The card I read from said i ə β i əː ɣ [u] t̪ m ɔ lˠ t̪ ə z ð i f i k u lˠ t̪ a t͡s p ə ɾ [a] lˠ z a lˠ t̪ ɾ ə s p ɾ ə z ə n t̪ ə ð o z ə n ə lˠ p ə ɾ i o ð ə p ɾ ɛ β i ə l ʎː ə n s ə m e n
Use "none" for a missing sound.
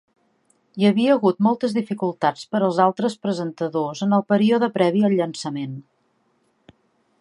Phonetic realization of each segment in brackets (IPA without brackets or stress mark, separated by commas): u, ə